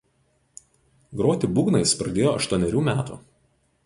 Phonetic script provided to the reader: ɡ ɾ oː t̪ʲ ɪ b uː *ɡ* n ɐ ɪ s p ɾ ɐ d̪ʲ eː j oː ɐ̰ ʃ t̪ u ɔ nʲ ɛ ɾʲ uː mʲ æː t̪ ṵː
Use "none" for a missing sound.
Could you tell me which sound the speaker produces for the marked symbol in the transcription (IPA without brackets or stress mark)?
ɡ